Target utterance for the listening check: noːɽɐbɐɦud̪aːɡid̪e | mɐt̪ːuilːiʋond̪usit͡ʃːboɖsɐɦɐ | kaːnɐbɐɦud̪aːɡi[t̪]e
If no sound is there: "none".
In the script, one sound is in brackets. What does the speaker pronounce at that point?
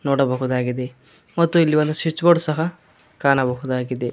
d̪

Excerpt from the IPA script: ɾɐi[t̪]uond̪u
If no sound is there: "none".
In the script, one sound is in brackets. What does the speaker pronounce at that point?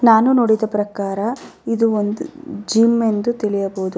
d̪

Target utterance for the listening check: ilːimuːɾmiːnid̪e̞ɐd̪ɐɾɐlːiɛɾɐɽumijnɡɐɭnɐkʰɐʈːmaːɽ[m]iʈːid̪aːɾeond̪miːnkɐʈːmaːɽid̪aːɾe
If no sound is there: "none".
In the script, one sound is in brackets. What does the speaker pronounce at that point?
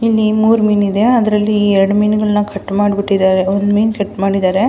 b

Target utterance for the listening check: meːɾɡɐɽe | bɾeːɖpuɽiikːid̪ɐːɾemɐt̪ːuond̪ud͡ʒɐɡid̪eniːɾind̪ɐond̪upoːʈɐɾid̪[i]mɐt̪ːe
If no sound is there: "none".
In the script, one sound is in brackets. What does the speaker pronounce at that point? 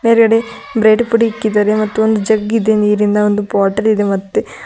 e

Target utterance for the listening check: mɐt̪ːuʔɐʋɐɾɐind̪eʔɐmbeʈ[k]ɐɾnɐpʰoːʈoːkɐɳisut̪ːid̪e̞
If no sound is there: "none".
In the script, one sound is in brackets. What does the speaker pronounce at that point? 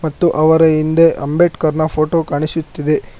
k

